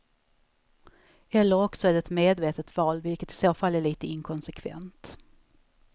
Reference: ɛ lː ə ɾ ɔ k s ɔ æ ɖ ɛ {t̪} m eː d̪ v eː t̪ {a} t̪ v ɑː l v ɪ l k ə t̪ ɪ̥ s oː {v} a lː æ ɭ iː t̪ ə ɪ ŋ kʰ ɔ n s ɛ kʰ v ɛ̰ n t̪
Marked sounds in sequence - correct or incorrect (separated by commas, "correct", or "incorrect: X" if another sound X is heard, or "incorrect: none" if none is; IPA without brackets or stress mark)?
correct, incorrect: ə, incorrect: f